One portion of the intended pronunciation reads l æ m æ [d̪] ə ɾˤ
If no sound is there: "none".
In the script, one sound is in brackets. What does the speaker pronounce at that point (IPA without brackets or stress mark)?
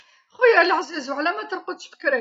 t̪